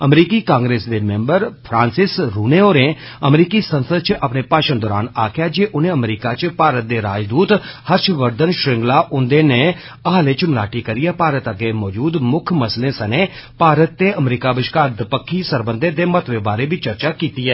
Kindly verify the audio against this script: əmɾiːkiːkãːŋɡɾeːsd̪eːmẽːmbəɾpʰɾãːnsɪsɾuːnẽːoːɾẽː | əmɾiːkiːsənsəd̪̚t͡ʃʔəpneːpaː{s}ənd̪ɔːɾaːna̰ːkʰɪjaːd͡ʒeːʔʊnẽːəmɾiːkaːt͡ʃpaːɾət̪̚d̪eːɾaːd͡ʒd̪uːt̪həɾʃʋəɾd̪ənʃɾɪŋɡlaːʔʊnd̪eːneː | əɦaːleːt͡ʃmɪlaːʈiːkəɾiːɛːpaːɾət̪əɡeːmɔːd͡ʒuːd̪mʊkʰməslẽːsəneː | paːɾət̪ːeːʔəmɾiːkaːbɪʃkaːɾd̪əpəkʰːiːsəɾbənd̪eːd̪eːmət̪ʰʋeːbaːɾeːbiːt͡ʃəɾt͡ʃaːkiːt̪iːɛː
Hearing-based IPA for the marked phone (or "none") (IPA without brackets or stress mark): ʃ